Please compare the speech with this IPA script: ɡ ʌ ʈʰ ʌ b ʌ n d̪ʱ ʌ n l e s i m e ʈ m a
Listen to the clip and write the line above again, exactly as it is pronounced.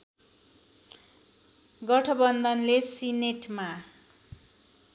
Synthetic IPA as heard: ɡ ʌ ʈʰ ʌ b ʌ n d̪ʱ ʌ n l e s i n e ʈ m a